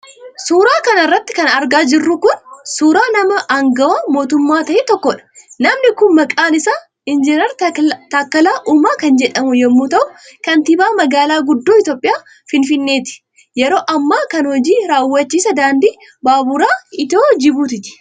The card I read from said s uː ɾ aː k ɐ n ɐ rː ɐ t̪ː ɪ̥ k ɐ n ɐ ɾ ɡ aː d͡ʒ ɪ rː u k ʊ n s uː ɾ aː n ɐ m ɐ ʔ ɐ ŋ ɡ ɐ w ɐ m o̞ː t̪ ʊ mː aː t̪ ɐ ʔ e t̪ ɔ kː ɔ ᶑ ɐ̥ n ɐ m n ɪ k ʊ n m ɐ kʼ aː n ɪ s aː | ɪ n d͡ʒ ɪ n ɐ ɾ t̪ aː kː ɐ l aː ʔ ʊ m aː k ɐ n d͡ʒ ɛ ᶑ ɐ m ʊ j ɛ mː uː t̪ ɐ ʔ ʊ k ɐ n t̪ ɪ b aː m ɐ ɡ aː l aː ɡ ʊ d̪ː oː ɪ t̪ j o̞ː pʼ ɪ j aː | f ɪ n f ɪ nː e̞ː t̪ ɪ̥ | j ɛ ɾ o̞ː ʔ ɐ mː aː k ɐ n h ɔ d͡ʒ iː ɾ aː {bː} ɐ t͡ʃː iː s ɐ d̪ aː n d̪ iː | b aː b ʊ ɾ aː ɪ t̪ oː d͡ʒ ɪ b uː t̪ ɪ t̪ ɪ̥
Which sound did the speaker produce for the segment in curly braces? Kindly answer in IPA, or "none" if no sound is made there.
wː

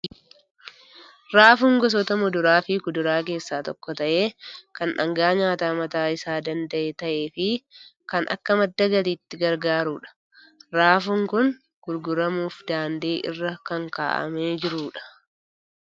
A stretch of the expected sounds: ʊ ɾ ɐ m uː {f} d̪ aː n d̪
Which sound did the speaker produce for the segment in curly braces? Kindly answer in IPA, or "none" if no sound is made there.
f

